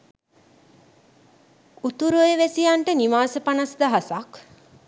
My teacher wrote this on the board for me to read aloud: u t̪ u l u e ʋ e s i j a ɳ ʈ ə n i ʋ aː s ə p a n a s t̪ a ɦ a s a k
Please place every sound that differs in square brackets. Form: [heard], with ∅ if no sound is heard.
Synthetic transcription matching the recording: u t̪ u [ɾ] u e ʋ e s i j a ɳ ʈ ə n i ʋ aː s ə p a n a s [d̪] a ɦ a s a k